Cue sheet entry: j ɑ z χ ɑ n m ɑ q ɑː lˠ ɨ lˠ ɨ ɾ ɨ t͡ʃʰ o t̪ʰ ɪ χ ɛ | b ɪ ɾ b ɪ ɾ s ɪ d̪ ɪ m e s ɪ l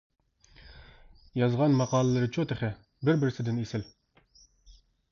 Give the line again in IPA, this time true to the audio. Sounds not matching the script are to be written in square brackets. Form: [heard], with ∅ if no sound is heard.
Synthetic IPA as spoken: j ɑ z [ʁ] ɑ n m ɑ q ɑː lˠ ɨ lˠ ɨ ɾ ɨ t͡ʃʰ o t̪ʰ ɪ χ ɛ | b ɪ ɾ b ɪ ɾ s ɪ d̪ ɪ [n] e s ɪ l